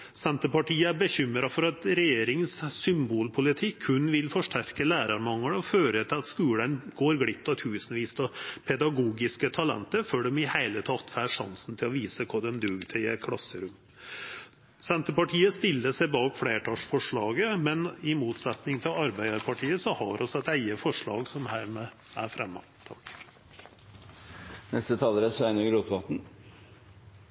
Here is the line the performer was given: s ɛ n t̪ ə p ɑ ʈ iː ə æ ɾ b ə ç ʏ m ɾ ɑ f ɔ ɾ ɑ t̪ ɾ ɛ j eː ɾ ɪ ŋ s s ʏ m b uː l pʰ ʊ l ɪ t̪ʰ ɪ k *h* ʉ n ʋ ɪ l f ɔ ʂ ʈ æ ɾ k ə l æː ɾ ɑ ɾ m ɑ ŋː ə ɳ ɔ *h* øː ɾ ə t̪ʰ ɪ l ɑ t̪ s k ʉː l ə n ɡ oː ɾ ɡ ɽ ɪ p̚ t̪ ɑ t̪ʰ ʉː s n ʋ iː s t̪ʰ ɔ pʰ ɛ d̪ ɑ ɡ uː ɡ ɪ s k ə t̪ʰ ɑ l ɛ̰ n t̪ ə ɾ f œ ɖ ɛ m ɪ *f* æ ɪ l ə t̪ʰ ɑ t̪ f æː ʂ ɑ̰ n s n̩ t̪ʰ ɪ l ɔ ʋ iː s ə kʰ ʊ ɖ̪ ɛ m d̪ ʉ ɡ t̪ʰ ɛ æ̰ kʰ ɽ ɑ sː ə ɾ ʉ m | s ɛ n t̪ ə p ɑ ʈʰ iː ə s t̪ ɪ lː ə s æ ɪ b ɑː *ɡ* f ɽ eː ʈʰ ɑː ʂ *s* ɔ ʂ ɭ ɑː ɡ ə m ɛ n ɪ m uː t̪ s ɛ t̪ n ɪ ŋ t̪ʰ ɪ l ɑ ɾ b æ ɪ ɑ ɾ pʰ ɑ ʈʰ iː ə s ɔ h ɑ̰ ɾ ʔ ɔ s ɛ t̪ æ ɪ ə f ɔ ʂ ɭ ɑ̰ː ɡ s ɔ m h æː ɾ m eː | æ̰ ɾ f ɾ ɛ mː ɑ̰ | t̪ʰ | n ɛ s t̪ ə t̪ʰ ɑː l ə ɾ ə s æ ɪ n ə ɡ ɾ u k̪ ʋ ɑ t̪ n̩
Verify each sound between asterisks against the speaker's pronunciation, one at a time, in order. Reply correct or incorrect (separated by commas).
correct, incorrect, incorrect, incorrect, incorrect